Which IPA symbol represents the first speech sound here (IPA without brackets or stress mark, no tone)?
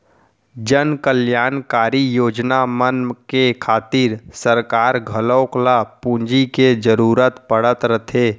d͡ʒ